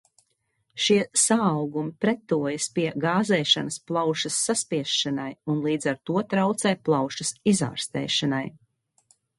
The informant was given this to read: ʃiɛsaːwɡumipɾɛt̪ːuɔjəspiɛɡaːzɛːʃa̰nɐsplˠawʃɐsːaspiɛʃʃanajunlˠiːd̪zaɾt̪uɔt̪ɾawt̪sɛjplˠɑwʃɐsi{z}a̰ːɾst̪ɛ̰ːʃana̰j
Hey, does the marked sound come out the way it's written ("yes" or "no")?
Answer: yes